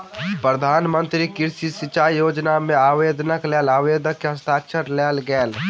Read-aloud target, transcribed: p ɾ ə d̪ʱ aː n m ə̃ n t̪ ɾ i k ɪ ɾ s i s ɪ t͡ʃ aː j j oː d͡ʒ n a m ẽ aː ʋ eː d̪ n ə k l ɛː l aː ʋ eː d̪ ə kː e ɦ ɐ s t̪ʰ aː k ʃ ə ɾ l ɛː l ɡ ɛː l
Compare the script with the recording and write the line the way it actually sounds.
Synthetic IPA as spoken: p ɾ ə d̪ʱ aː n m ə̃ n t̪ ɾ i k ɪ ɾ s i s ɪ t͡ʃ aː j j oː d͡ʒ n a m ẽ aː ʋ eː d̪ n ə k l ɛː l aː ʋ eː d̪ ə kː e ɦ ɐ s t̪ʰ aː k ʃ ə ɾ l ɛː l ɡ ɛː l